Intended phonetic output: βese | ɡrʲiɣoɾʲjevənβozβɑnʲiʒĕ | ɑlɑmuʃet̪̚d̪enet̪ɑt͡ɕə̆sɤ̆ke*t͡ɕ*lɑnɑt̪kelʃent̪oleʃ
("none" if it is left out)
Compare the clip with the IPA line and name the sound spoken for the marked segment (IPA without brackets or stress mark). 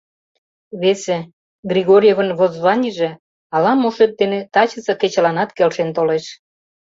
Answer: t͡ɕ